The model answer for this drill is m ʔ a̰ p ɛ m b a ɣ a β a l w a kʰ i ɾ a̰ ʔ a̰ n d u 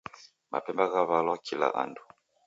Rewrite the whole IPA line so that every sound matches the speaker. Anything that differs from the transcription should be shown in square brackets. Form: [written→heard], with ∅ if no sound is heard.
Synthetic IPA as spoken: m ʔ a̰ p ɛ m b a ɣ a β a l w a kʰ i [ɾ→l] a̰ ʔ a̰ n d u